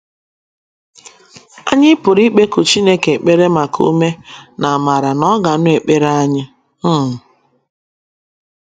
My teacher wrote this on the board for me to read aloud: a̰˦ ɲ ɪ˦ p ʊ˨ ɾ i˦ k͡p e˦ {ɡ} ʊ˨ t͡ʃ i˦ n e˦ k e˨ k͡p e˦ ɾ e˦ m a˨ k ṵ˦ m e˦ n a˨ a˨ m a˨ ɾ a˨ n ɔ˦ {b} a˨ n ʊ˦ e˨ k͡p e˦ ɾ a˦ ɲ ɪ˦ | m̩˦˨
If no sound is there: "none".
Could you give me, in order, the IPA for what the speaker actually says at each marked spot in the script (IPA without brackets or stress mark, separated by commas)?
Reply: k, ɡ